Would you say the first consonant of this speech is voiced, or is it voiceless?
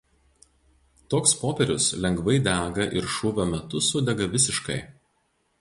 voiceless